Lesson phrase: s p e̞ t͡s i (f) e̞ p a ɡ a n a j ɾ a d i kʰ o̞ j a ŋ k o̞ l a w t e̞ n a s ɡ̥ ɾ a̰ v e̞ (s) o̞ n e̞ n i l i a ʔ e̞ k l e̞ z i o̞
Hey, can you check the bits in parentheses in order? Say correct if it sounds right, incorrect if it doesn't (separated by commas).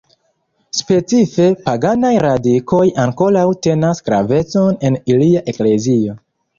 correct, incorrect